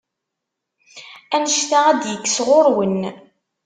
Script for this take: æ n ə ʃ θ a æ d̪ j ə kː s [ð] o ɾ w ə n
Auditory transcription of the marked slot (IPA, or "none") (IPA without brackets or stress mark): ʁ